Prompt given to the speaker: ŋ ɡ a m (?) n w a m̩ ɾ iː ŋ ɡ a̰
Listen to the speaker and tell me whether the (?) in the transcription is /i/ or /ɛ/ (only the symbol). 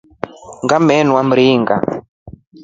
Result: ɛ